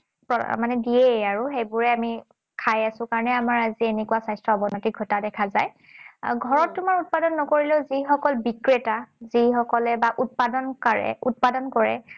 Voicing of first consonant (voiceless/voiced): voiceless